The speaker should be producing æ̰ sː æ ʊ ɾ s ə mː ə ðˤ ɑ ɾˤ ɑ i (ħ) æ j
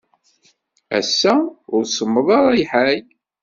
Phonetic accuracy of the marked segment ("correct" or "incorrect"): correct